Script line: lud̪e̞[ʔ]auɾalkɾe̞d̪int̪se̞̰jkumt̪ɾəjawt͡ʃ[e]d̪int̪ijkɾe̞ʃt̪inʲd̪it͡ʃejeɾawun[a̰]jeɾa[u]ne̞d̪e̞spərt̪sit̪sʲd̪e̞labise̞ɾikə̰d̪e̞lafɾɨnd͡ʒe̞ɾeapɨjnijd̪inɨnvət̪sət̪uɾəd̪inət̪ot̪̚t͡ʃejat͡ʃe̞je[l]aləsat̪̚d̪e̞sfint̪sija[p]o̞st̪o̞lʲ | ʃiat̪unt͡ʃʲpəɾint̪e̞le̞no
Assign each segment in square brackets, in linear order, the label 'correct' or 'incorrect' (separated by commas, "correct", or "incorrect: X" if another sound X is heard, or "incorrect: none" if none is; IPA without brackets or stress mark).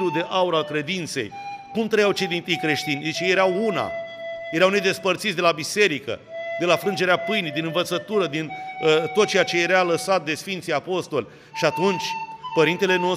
correct, correct, correct, incorrect: w, incorrect: ɾ, correct